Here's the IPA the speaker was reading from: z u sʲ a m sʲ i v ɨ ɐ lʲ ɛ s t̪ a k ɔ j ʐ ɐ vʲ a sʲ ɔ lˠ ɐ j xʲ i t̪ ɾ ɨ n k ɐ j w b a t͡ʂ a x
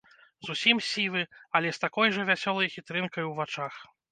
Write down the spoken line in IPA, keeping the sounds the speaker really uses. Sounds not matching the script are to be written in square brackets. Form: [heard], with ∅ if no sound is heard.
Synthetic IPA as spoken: z u sʲ [i] m sʲ i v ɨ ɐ lʲ ɛ s t̪ a k ɔ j ʐ ɐ vʲ a sʲ ɔ lˠ ɐ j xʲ i t̪ ɾ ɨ n k ɐ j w [v] a t͡ʂ a x